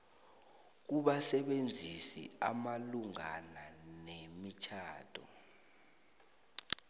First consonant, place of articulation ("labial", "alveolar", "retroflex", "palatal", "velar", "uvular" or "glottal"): velar